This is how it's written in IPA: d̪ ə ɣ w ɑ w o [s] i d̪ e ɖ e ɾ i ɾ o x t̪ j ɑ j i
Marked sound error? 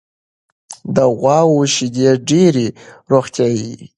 yes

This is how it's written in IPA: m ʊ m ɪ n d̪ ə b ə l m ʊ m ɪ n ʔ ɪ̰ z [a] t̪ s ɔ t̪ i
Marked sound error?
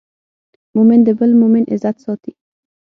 no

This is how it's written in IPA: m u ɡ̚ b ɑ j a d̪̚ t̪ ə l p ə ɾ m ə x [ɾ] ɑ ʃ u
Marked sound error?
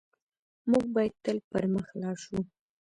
yes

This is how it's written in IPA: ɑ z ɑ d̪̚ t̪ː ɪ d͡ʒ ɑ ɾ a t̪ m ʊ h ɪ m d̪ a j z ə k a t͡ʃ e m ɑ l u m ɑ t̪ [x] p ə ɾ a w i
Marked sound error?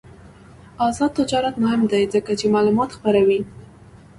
no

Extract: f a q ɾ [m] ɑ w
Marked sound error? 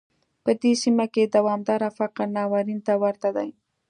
yes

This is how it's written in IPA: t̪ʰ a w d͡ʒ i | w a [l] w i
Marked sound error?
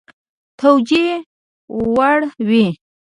yes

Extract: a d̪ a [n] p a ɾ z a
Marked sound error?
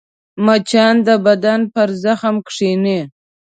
no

